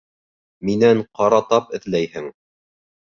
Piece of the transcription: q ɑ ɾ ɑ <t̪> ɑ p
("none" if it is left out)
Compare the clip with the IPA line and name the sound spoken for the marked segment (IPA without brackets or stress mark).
t̪